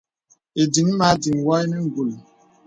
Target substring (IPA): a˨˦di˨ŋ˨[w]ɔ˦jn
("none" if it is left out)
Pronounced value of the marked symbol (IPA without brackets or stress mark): w